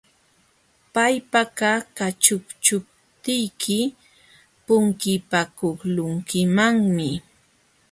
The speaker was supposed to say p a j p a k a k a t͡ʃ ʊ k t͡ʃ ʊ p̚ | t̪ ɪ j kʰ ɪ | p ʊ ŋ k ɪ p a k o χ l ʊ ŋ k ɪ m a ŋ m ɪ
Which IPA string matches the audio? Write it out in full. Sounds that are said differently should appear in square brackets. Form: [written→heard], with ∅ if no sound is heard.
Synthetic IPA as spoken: p a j p a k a k a t͡ʃ ʊ k t͡ʃ ʊ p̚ | t̪ ɪ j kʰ ɪ | p ʊ ŋ k ɪ p a k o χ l ʊ ŋ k ɪ m a ŋ m ɪ